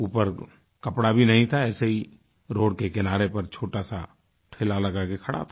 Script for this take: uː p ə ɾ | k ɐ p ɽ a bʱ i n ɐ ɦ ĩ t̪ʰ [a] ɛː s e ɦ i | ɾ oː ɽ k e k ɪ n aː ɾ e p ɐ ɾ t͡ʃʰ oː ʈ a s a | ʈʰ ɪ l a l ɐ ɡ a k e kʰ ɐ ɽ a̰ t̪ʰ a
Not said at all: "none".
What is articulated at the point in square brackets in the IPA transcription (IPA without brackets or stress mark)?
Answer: a